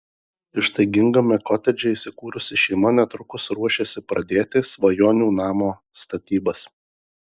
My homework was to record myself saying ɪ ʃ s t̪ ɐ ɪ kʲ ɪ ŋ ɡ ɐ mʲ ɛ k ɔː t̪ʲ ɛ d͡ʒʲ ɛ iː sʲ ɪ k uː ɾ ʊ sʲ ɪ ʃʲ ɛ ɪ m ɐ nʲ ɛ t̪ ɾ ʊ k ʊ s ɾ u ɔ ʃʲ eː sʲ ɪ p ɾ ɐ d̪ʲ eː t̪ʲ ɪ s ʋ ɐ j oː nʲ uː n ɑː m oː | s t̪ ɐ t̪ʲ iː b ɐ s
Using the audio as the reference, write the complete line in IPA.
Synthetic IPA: ɪ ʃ s t̪ ɐ ɪ ɡʲ ɪ ŋ ɡ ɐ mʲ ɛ k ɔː t̪ʲ ɛ d͡ʒʲ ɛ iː sʲ ɪ k uː ɾ ʊ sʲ ɪ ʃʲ ɛ ɪ m ɐ nʲ ɛ t̪ ɾ ʊ k ʊ s ɾ u ɔ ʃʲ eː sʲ ɪ p ɾ ɐ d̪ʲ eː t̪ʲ ɪ s ʋ ɐ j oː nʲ uː n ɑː m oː | s t̪ ɐ t̪ʲ iː b ɐ s